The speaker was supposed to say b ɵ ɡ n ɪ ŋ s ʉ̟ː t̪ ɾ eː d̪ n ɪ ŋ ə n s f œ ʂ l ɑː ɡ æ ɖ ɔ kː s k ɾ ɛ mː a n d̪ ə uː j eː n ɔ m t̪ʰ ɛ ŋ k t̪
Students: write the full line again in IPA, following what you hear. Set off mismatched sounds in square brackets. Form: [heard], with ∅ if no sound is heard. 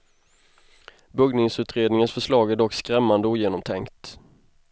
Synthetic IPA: b ɵ ɡ n ɪ ŋ s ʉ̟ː t̪ ɾ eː d̪ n ɪ ŋ ə n s f œ ʂ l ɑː ɡ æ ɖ ɔ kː s k ɾ ɛ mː a n d̪ ə uː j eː n ɔ m t̪ʰ ɛ ŋ k t̪